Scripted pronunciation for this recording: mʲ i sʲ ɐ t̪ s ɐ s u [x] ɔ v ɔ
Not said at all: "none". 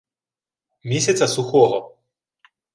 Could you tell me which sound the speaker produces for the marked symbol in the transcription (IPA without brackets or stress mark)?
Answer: x